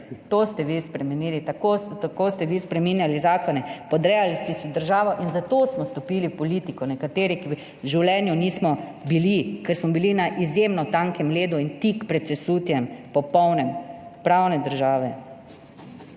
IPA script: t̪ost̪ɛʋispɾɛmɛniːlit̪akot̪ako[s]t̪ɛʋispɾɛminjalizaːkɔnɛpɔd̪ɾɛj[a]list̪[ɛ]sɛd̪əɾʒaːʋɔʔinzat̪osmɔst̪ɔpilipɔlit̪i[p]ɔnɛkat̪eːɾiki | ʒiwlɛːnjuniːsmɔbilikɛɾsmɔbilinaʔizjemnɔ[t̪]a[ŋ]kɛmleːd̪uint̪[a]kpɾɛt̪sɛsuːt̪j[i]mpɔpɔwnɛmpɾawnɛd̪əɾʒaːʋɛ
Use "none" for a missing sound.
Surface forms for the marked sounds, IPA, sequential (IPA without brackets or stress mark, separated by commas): s, a, ɛ, k, t̪, ŋ, i, ɛ